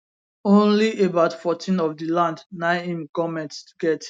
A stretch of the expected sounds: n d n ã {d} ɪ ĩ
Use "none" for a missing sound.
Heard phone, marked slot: none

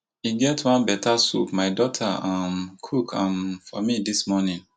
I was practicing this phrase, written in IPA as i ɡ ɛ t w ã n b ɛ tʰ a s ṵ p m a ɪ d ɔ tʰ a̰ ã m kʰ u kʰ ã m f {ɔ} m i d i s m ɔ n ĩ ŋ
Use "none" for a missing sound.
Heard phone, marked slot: ɔ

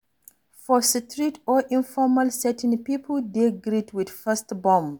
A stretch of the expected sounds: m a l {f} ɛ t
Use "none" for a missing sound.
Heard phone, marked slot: s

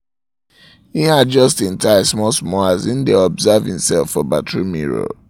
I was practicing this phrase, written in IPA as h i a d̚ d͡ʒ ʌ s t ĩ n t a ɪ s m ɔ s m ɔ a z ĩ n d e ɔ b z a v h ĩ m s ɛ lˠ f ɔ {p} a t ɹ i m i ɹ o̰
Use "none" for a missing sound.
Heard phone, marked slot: b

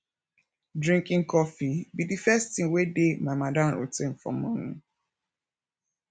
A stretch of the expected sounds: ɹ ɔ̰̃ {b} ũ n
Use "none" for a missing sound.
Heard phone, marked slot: m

